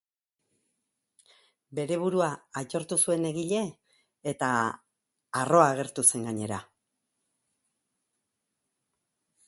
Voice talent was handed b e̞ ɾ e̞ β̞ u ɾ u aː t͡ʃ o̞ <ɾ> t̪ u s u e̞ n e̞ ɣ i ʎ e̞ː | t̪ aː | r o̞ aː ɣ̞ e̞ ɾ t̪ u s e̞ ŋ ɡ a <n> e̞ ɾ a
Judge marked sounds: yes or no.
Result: yes, no

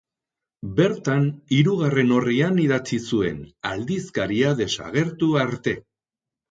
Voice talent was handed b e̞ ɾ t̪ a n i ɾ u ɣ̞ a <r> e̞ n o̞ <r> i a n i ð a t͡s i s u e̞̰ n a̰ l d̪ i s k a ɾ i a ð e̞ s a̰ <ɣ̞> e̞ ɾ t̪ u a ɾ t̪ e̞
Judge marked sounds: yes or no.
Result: yes, yes, yes

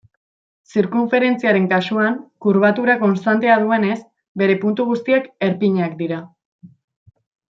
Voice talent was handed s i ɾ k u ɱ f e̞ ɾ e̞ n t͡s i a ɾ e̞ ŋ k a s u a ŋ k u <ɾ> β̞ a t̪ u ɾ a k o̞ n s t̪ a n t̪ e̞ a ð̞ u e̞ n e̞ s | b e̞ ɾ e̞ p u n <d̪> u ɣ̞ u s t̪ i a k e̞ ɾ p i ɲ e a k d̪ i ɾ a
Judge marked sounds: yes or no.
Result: yes, no

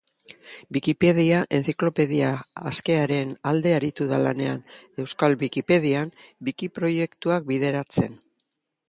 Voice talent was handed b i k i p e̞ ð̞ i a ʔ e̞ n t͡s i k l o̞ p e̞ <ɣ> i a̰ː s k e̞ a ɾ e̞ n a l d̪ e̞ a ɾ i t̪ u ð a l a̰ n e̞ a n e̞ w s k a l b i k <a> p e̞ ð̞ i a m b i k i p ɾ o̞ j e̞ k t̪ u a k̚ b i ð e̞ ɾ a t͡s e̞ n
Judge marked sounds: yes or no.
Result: no, no

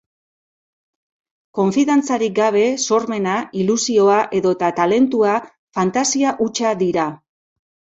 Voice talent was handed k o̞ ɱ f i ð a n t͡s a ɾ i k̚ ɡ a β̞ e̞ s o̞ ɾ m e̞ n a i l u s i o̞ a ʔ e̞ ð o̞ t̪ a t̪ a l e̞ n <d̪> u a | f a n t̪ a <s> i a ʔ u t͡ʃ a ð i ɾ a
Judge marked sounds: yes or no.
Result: no, yes

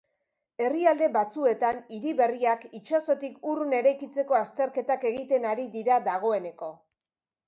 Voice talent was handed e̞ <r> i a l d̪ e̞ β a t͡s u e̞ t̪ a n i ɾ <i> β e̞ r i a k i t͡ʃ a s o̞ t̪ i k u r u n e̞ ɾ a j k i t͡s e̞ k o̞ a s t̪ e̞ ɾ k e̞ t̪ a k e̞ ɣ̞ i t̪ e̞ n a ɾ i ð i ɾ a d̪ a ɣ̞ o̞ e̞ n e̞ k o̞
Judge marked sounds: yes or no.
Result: yes, yes

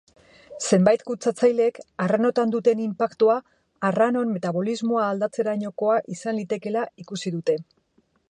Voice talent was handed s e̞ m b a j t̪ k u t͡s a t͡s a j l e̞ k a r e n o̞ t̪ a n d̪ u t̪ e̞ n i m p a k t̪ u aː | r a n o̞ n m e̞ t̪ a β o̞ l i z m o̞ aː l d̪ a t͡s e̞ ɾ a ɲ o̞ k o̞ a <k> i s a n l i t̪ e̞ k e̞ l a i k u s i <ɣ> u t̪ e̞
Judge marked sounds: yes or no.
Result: no, no

